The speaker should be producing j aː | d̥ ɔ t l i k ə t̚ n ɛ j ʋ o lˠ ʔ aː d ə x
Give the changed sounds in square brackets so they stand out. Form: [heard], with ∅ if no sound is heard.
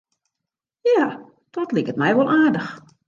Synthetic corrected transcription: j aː | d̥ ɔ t l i k ə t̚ [m] ɛ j ʋ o lˠ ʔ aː d ə x

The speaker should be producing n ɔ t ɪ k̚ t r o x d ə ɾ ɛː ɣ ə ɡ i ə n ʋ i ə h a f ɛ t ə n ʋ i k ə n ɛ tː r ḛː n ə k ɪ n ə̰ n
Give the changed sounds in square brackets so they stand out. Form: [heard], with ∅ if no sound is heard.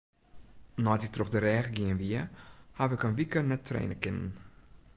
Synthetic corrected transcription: n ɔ t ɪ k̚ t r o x d ə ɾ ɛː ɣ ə ɡ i ə n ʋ i ə h a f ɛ [k] ə n ʋ i k ə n ɛ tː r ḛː n ə k ɪ n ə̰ n

